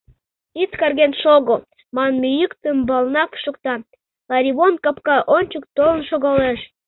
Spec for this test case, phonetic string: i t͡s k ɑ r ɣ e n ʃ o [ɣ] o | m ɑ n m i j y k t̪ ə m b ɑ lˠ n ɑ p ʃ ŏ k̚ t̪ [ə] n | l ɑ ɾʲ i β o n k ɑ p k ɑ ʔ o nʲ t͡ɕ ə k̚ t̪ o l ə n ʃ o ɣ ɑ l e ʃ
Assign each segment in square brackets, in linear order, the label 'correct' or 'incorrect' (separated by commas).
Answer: correct, incorrect